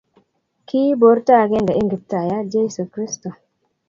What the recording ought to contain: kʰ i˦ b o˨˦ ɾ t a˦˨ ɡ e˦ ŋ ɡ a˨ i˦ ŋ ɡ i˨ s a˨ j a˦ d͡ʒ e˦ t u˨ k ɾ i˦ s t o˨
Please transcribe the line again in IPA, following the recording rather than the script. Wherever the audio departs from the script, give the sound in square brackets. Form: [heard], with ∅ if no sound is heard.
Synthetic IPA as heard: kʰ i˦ b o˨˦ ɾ t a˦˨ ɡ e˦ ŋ ɡ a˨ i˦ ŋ ɡ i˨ [t] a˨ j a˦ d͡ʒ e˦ [s] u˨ k ɾ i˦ s t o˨